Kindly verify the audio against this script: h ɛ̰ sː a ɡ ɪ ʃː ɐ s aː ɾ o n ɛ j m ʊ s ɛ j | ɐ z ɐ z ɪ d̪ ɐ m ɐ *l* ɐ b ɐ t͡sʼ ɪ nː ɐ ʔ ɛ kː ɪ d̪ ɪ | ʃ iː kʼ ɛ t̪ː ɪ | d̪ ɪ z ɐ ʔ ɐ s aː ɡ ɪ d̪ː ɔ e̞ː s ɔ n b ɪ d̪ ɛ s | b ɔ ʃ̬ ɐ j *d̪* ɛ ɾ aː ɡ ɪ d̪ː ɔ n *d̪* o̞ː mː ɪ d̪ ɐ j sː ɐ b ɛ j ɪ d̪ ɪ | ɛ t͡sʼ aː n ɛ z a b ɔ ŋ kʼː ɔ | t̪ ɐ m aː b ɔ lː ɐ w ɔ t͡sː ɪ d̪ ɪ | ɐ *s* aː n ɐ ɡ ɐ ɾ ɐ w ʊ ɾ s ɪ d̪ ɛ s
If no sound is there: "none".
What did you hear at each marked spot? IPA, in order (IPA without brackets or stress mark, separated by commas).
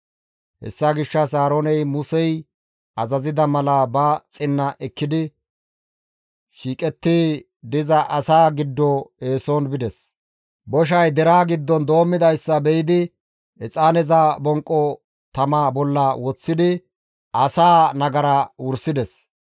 l, d̪, d̪, s